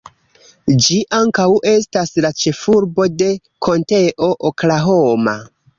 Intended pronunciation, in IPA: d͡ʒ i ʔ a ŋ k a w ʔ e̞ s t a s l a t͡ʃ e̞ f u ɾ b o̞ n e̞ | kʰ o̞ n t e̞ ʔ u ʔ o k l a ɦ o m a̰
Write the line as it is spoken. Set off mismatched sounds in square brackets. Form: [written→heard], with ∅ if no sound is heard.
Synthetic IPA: d͡ʒ i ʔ a ŋ k a w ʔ e̞ s t a s l a t͡ʃ e̞ f u ɾ b o̞ [n→d] e̞ | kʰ o̞ n t e̞ ʔ [u→o] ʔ o k l a ɦ o m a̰

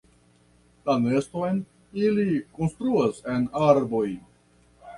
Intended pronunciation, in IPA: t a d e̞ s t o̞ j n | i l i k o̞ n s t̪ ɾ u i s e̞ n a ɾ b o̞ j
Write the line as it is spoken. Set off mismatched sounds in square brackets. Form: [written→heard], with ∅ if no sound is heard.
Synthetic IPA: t a [d→n] e̞ s t o̞ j n | i l i k o̞ n s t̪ ɾ u [i→a] s e̞ n a ɾ b o̞ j

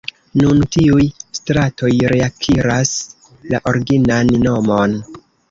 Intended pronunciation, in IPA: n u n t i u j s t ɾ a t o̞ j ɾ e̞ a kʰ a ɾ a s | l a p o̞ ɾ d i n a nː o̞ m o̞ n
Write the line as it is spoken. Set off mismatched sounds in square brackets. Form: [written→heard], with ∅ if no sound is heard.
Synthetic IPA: n u n t i u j s t ɾ a t o̞ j ɾ e̞ a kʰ [a→i] ɾ a s | l a [p→ʔ] o̞ ɾ [d→ɡ] i n a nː o̞ m o̞ n

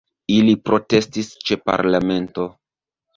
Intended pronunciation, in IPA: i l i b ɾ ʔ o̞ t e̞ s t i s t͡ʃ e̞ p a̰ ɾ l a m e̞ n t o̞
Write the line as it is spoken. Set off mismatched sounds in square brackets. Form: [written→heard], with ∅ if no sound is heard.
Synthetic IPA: i l i [b→p] ɾ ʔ o̞ t e̞ s t i s t͡ʃ e̞ p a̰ ɾ l a m e̞ n t o̞

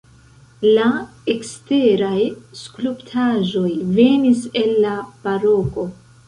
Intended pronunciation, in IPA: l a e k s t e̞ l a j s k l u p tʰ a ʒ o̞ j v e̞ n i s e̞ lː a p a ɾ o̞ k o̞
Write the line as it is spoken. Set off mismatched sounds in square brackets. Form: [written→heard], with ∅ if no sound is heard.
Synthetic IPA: l a e k s t e̞ [l→ɾ] a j s k l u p tʰ a ʒ o̞ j v e̞ n i s e̞ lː a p a ɾ o̞ k o̞

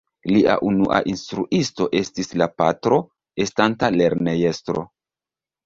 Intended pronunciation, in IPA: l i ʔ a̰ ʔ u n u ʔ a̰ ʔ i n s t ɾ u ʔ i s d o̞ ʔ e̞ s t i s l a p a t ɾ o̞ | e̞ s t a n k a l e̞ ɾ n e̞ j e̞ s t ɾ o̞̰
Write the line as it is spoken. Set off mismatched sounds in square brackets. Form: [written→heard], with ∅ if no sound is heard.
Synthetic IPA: l i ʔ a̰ ʔ u n u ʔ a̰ ʔ i n s t ɾ u ʔ i s [d→t] o̞ ʔ e̞ s t i s l a p a t ɾ o̞ | e̞ s t a n [k→t] a l e̞ ɾ n e̞ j e̞ s t ɾ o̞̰

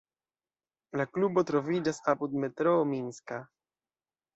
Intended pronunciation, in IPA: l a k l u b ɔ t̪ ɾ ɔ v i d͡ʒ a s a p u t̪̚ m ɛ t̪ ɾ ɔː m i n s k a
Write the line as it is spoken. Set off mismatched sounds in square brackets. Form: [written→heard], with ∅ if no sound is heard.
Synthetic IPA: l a k l u b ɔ t̪ ɾ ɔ v i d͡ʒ a s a p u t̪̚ m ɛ t̪ ɾ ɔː m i n s k a

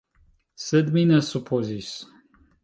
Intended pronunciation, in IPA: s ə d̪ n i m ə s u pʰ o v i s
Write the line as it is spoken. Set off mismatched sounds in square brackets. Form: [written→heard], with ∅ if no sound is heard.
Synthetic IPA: s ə d̪ [n→m] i [m→n] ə s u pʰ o [v→z] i s

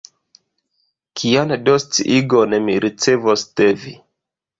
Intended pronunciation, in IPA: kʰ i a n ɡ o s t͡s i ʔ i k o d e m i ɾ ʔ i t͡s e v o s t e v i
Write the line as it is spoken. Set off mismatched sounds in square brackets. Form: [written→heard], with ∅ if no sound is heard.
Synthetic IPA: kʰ i a n [ɡ→d] o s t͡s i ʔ i [k→ɡ] o [d→n] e m i ɾ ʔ i t͡s e v o s t e v i

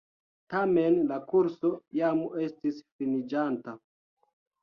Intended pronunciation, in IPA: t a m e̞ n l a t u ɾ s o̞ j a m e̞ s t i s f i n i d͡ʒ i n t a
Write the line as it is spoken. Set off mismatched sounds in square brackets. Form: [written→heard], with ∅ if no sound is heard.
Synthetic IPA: t a m e̞ n l a [t→k] u ɾ s o̞ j a m e̞ s t i s f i n i d͡ʒ [i→a] n t a

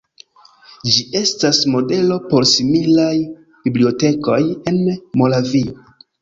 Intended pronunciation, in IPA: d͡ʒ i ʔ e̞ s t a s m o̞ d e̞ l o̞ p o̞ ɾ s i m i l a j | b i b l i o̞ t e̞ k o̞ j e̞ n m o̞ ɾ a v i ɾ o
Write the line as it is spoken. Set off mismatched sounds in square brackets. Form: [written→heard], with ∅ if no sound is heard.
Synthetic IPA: d͡ʒ i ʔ e̞ s t a s m o̞ d e̞ l o̞ p o̞ ɾ s i m i l a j | b i b l i o̞ t e̞ k o̞ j e̞ n m o̞ [ɾ→l] a v i [ɾ→∅] o

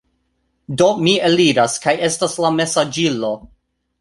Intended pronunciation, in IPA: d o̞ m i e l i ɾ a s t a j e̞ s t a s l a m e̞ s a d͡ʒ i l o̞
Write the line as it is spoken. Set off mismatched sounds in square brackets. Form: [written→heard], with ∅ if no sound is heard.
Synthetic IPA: d o̞ m i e l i ɾ a s [t→k] a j e̞ s t a s l a m e̞ s a d͡ʒ i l o̞

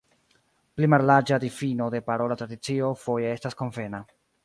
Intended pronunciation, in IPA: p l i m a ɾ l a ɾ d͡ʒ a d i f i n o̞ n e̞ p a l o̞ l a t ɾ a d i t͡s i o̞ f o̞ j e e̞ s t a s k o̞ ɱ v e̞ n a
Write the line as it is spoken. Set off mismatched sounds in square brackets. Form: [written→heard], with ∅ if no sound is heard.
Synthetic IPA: p l i m a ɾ l a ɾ d͡ʒ a d i f i n o̞ [n→d] e̞ p a [l→ɾ] o̞ l a t ɾ a d i t͡s i o̞ f o̞ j e e̞ s t a s k o̞ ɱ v e̞ n a

